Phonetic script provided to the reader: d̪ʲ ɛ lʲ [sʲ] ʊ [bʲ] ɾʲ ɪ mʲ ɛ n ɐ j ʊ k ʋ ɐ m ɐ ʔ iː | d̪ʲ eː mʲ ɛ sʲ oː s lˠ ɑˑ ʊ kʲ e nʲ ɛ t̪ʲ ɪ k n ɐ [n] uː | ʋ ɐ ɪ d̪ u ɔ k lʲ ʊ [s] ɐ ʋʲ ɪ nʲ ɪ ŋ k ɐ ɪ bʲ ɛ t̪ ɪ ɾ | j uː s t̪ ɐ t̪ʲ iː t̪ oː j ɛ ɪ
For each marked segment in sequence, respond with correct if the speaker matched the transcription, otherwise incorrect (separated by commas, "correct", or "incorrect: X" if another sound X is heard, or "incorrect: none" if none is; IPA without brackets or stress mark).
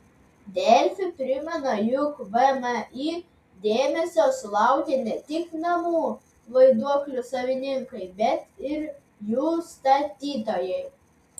incorrect: fʲ, incorrect: pʲ, incorrect: m, correct